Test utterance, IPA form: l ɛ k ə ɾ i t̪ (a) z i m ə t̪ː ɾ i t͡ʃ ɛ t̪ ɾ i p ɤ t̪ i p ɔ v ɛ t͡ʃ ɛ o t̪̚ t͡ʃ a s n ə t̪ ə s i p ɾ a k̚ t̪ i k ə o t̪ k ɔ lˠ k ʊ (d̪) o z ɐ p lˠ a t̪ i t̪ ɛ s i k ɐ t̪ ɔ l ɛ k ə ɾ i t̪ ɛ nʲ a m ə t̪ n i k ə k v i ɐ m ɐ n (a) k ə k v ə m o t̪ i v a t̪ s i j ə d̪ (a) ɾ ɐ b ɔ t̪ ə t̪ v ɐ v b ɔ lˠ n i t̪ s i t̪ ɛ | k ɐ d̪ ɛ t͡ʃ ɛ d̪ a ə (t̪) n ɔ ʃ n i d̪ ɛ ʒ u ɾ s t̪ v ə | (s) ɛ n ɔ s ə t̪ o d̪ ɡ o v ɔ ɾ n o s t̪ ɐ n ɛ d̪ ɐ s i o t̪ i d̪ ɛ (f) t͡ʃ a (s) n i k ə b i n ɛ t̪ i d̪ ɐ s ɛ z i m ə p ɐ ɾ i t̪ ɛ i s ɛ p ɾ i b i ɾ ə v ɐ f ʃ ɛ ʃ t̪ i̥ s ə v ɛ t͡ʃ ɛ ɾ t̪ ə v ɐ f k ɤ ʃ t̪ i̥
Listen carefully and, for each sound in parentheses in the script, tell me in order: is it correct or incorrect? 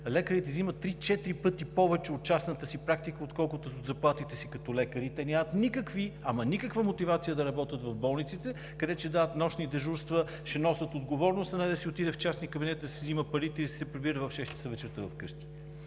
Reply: incorrect, incorrect, incorrect, incorrect, correct, incorrect, correct, correct

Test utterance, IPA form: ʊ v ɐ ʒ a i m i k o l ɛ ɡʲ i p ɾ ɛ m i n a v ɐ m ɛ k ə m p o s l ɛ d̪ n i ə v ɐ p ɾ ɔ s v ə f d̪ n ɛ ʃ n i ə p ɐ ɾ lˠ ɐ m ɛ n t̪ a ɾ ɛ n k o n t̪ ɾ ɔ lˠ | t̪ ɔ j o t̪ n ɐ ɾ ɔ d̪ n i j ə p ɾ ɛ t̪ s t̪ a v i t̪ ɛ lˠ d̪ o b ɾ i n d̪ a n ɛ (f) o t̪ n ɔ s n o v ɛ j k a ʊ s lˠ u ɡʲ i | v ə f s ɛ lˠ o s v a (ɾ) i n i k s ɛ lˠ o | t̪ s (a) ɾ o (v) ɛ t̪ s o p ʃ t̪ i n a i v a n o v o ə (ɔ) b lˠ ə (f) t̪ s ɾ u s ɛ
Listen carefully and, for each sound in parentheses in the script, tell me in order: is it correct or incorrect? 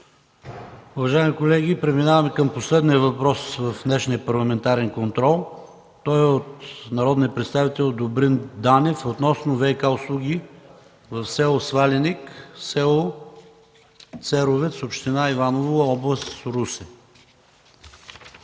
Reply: correct, incorrect, incorrect, correct, correct, incorrect

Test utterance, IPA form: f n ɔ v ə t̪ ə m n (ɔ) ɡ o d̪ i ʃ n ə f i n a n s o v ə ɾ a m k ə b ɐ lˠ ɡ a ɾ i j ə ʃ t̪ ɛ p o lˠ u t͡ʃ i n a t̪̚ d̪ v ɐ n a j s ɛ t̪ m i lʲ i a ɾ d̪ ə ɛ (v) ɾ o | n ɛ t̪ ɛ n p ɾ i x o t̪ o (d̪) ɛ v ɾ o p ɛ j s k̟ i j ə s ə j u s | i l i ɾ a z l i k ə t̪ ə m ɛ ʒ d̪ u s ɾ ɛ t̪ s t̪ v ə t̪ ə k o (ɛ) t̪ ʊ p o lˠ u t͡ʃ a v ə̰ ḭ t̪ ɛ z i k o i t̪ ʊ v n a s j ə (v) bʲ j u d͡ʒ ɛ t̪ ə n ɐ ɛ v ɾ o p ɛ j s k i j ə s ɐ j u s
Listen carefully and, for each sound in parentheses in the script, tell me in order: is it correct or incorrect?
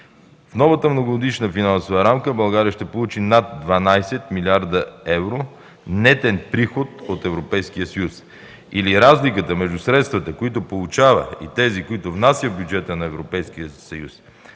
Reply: incorrect, correct, incorrect, incorrect, correct

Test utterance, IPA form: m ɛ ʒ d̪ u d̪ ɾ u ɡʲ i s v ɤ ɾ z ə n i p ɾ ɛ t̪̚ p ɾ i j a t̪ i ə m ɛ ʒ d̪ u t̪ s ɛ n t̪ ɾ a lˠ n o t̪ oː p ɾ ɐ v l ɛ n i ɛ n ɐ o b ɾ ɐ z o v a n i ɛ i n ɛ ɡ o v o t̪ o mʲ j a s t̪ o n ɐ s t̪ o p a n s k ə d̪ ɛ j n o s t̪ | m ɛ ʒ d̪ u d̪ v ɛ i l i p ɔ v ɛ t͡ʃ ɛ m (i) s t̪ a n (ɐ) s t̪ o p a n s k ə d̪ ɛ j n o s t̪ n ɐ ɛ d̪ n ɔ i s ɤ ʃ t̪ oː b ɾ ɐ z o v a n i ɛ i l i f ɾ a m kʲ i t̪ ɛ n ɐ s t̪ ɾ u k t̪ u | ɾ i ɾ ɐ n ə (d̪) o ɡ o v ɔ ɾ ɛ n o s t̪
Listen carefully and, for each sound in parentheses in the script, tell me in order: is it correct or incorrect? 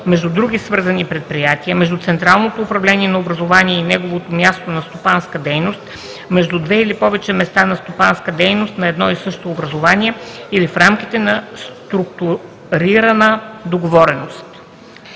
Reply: incorrect, correct, correct

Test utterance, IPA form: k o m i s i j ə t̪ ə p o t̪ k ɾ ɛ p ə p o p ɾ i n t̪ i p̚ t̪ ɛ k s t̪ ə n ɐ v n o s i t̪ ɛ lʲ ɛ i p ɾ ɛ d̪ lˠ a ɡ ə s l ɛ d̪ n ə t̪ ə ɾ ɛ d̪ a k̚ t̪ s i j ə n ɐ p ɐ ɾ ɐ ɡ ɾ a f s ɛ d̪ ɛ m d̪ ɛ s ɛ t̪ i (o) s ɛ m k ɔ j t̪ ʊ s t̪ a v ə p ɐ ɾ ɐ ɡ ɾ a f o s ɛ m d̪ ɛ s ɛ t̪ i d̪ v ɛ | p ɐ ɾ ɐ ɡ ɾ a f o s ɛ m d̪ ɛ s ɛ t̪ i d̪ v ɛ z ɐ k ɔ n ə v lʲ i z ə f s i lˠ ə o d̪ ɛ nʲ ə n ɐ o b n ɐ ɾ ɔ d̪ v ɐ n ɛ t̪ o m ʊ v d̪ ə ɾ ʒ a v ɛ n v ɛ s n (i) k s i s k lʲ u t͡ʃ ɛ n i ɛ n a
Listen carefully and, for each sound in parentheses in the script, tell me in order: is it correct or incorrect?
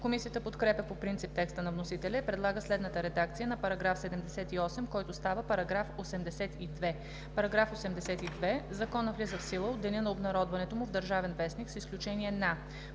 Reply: incorrect, correct

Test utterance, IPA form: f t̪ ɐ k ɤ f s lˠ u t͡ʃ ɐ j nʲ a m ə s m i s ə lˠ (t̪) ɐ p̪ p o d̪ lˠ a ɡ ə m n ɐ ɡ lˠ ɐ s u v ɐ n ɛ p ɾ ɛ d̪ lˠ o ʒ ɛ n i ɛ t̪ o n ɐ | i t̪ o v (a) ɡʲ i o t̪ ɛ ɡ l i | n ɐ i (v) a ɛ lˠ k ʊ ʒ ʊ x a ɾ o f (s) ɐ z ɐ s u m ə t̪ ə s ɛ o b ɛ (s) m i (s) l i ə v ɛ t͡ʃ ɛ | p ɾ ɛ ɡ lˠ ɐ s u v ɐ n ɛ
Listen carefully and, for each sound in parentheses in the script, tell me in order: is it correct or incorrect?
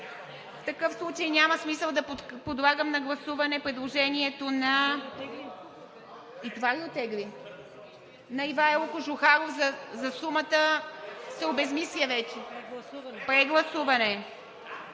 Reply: incorrect, correct, correct, incorrect, incorrect, correct

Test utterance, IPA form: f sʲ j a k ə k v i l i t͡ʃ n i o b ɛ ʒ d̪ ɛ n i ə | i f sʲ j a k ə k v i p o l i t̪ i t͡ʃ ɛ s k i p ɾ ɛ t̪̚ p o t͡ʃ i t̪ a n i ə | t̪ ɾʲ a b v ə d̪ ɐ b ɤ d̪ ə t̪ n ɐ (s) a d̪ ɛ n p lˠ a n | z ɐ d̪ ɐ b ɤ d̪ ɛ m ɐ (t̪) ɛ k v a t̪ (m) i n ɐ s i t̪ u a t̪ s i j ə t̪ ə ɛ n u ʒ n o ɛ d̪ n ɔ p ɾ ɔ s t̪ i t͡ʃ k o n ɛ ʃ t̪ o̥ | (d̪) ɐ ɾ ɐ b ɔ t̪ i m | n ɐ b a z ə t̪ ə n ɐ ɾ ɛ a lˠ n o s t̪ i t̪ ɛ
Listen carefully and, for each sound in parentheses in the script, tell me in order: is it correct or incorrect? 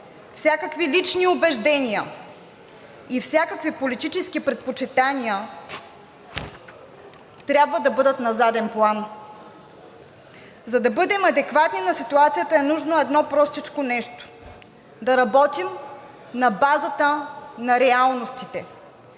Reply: incorrect, incorrect, incorrect, correct

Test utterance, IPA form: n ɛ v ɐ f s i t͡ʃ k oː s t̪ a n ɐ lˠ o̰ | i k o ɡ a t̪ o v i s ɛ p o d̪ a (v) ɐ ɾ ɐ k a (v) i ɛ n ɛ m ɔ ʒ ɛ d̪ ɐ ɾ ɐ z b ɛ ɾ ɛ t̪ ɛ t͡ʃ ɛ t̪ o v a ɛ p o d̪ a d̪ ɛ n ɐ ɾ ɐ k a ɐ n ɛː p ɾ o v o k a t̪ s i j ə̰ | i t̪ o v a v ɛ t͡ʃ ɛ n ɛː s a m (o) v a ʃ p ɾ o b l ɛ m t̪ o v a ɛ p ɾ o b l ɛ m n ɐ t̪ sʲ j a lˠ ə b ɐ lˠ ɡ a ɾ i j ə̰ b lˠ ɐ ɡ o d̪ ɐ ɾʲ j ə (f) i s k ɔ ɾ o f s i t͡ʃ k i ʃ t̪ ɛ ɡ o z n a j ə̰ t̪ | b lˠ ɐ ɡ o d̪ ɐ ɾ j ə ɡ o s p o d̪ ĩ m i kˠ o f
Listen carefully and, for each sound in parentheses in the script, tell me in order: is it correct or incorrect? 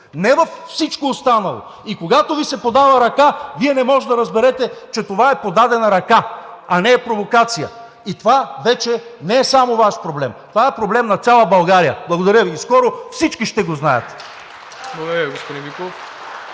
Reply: correct, correct, correct, incorrect

